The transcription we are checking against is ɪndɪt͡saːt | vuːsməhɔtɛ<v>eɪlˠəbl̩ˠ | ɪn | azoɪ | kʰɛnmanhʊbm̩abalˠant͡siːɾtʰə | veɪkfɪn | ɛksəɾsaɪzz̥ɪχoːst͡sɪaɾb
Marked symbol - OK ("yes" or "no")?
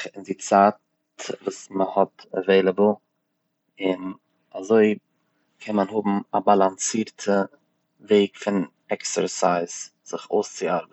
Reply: yes